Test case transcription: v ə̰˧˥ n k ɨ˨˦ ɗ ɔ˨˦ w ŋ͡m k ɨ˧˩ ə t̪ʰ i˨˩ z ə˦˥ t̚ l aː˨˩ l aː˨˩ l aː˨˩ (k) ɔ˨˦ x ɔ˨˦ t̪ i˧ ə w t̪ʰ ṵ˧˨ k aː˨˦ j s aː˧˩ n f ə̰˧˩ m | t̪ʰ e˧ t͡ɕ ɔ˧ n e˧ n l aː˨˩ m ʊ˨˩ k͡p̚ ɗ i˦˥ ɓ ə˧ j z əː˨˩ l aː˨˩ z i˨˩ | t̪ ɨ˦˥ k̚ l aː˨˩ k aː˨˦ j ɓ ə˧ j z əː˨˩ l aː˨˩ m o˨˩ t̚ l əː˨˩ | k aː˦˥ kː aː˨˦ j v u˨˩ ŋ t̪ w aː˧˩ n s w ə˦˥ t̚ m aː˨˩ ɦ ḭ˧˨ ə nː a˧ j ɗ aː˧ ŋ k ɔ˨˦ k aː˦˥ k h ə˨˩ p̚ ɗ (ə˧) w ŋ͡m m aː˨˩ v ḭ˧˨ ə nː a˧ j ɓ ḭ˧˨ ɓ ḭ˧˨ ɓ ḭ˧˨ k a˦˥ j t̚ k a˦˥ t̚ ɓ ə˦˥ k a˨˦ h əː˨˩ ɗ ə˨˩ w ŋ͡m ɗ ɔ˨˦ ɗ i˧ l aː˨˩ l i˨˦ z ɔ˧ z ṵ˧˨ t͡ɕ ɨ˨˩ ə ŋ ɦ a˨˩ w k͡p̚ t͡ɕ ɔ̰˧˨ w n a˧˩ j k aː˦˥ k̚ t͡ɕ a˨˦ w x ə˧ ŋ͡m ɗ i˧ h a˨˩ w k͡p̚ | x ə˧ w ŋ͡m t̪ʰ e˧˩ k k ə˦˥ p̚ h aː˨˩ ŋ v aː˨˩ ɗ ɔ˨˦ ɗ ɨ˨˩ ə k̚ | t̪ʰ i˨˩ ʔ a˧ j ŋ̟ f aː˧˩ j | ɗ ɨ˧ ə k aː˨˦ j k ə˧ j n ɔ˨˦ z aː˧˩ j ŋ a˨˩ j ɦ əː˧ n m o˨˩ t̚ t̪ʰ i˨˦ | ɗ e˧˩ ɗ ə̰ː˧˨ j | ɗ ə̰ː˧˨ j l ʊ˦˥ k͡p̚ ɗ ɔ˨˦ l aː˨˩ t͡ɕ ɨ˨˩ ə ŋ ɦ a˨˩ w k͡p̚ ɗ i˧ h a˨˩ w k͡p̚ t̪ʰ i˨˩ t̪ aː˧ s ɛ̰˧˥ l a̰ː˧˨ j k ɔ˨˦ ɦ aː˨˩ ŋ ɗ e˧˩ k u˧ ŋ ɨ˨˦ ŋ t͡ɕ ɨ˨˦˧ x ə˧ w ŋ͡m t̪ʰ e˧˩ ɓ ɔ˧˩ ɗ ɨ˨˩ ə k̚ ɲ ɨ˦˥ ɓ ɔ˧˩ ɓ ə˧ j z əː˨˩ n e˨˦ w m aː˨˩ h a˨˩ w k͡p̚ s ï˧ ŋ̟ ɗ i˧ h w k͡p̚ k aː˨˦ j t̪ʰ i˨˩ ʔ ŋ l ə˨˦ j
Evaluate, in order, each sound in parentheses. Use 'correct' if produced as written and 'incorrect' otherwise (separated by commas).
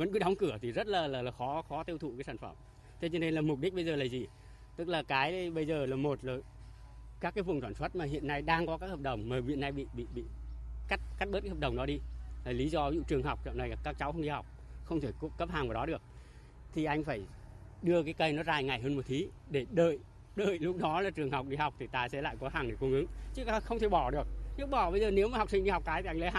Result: incorrect, incorrect